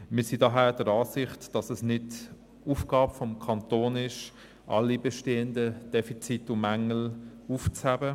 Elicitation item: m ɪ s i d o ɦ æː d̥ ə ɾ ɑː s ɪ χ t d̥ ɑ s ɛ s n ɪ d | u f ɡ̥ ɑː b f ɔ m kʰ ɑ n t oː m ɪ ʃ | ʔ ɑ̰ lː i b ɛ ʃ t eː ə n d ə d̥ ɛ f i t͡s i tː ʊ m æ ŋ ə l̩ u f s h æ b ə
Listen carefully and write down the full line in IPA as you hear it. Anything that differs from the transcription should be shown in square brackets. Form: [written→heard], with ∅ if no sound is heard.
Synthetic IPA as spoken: m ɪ s i d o ɦ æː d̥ ə ɾ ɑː s ɪ χ t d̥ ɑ s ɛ s n ɪ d | u f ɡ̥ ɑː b f ɔ m kʰ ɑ n t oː [m→n] ɪ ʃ | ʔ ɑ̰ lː i b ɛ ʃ t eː ə n d ə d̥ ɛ f i t͡s i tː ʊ m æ ŋ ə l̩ u f [s→t͡s] h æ b ə